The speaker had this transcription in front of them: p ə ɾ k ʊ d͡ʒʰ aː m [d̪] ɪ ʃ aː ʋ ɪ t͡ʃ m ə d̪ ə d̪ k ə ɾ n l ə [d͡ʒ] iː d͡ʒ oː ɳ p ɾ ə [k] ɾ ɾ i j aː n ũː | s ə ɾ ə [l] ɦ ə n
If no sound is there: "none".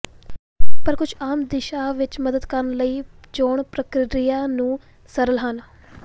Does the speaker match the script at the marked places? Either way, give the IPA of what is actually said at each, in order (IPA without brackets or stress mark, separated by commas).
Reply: d̪, none, k, l